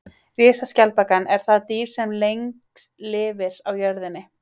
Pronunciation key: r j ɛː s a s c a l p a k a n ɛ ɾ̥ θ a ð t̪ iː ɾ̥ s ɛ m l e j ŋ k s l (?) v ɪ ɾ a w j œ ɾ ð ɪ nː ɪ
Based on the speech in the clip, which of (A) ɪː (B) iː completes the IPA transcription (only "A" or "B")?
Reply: A